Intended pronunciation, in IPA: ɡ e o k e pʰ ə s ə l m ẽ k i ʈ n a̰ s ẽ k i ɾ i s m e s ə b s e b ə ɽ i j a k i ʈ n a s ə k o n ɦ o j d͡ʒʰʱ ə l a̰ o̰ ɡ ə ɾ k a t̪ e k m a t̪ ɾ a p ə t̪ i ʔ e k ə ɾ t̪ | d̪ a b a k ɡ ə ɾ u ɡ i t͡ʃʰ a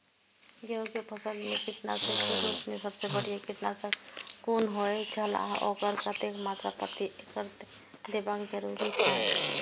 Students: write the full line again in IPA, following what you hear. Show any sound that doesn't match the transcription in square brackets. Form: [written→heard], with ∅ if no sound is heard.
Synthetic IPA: ɡ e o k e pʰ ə s ə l m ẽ k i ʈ n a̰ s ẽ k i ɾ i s m e s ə b s e b ə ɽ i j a k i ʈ n a s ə k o n ɦ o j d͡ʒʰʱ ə l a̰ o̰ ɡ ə ɾ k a t̪ e k m a t̪ ɾ a p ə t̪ i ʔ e k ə ɾ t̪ | d̪ [a→e] b a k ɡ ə ɾ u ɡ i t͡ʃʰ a